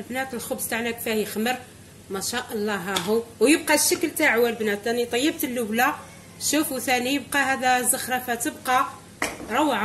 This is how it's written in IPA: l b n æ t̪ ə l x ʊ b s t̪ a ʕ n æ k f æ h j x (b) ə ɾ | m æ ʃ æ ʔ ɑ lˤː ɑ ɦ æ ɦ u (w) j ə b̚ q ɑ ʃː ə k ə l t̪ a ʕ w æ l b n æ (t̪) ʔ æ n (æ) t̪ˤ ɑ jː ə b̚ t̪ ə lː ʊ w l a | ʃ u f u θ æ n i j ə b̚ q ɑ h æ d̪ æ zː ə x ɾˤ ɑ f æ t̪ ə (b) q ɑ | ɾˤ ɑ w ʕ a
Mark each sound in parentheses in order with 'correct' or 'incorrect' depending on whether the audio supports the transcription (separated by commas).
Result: incorrect, correct, correct, incorrect, correct